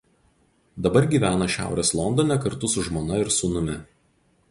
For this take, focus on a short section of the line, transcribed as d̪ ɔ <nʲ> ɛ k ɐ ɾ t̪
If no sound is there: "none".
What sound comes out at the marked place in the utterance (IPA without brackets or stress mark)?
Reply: nʲ